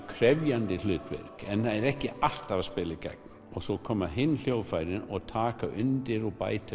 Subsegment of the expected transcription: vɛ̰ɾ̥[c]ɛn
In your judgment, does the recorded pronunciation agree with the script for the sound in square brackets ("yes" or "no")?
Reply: no